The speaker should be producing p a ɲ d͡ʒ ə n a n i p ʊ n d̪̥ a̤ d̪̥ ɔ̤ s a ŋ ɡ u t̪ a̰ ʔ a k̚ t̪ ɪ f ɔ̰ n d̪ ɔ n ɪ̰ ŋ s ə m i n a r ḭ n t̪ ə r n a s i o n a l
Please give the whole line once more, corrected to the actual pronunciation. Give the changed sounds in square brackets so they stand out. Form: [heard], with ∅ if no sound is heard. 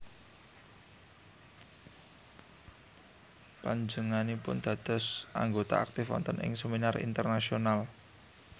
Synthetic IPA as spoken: p a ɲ d͡ʒ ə [ŋ] a n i p ʊ n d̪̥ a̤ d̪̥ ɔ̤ s a ŋ ɡ [o] t̪ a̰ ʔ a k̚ t̪ ɪ f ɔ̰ n [t̪] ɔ n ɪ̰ ŋ s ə m i n a r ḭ n t̪ ə r n a s i o n a l